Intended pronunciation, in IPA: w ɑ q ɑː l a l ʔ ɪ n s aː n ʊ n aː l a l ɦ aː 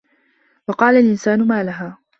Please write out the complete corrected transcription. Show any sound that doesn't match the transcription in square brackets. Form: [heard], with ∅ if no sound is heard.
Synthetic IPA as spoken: w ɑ q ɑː l a l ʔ ɪ n s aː n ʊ [m] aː l a [∅] ɦ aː